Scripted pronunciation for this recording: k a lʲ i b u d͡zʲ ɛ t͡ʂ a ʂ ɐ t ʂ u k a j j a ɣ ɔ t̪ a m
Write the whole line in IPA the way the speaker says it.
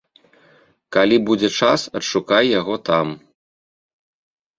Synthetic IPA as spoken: k a lʲ i b u d͡zʲ ɛ t͡ʂ a s ɐ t ʂ u k a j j a ɣ ɔ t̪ a m